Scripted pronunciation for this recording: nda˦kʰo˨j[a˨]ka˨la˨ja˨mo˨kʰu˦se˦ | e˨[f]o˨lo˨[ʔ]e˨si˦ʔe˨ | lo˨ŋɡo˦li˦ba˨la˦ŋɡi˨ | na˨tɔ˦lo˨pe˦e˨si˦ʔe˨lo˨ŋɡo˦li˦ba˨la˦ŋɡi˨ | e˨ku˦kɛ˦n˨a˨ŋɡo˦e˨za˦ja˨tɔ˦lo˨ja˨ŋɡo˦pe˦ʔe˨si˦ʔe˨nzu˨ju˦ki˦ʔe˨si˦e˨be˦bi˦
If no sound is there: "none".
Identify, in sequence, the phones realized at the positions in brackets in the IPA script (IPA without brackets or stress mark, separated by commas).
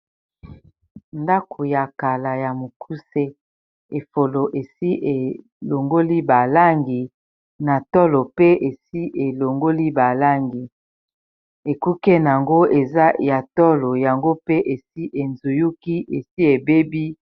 a˨, f, ʔ